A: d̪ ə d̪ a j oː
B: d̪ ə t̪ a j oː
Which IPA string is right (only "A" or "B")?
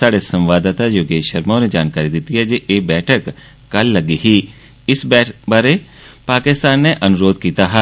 B